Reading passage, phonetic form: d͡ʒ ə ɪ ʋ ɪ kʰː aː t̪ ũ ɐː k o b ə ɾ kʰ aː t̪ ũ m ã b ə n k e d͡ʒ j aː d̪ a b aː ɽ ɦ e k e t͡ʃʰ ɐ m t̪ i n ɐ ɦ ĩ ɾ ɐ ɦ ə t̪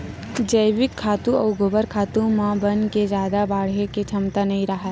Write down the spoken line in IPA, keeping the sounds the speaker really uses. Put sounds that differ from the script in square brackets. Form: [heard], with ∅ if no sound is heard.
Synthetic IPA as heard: d͡ʒ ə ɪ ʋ ɪ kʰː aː t̪ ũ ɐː [ɡ] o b ə ɾ kʰ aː t̪ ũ m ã b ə n k e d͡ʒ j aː d̪ a b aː ɽ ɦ e k e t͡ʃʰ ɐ m t̪ [a] n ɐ ɦ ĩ ɾ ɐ ɦ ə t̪